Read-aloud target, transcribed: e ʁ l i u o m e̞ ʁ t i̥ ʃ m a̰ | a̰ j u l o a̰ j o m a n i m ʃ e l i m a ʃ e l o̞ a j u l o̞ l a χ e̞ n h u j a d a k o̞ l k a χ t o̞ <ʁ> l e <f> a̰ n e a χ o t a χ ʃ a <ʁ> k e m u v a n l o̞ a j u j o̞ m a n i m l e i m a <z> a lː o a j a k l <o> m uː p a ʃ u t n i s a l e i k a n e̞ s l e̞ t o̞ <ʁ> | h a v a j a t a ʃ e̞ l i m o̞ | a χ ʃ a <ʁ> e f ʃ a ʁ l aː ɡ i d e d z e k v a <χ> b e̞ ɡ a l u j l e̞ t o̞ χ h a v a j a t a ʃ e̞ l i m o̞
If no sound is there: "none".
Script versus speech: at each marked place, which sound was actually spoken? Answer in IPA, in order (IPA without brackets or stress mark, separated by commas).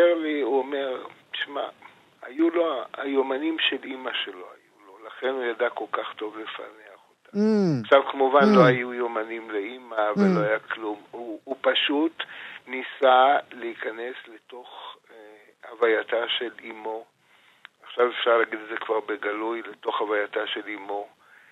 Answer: v, f, v, v, u, χ, v, ʁ